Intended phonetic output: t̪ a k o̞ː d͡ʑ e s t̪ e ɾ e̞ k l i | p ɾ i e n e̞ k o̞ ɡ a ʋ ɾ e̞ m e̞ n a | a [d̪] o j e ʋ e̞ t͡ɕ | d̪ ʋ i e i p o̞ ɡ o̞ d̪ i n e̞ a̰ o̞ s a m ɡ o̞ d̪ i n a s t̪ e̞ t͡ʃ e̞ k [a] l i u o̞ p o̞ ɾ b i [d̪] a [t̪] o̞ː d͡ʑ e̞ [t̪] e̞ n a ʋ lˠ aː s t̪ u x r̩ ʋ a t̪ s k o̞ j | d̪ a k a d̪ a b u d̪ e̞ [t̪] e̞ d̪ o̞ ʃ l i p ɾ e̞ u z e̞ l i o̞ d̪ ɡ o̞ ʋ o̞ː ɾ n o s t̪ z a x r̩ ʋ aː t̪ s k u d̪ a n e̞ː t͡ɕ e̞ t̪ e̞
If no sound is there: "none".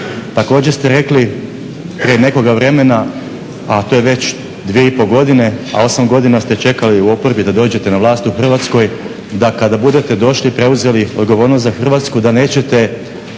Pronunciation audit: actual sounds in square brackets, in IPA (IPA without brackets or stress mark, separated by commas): t̪, a, d̪, d̪, t̪, t̪